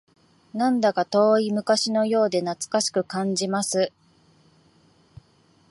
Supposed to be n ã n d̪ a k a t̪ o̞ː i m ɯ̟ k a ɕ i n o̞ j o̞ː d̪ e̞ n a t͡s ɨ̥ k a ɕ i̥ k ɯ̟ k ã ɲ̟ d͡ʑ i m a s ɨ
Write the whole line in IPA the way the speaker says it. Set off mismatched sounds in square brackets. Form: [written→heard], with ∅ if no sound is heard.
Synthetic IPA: n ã n d̪ a k a t̪ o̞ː i m ɯ̟ k a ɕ i n o̞ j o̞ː d̪ e̞ n a t͡s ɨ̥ k a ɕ i̥ k ɯ̟ k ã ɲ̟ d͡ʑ i m a s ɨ